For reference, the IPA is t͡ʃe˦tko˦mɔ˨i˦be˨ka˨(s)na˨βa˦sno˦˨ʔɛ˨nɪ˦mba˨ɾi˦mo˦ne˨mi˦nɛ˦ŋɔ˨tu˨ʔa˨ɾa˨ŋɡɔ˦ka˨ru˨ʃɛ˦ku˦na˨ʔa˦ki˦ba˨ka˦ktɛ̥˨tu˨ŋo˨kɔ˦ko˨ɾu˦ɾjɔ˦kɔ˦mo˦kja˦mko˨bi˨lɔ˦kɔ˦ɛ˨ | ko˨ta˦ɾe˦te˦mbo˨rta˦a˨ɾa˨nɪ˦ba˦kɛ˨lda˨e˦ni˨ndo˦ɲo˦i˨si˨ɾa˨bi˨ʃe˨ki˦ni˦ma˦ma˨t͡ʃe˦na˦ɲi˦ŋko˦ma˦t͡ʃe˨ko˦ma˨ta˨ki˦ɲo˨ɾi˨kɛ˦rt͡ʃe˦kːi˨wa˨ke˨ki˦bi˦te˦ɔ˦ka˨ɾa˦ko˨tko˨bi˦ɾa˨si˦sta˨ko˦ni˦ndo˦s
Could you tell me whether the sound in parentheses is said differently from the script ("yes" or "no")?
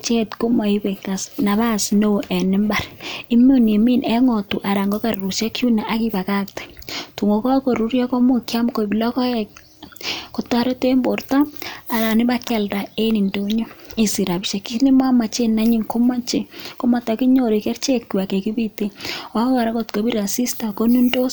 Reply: no